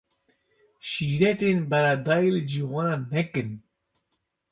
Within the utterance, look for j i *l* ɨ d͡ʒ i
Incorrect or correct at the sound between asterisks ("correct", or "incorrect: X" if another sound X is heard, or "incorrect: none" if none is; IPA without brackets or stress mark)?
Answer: correct